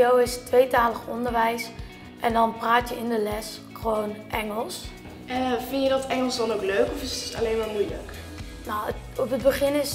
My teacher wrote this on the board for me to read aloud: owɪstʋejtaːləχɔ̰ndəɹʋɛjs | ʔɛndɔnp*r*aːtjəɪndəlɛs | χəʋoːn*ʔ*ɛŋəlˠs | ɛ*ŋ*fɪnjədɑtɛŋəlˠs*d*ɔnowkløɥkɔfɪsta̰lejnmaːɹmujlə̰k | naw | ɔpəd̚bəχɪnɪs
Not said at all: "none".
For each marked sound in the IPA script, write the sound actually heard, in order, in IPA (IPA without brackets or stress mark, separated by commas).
r, ʔ, none, d